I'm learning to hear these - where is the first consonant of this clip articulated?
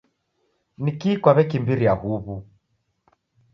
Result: tongue tip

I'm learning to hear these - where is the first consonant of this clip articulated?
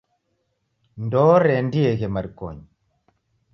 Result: tongue tip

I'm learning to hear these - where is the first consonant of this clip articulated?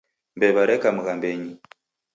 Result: lips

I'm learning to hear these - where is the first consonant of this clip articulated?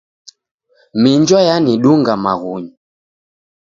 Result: lips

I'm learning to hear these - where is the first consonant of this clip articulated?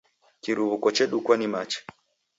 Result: velum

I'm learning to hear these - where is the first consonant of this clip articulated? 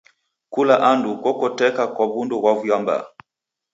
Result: velum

